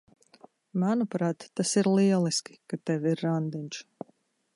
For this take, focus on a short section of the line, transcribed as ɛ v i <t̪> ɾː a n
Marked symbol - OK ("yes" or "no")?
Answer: no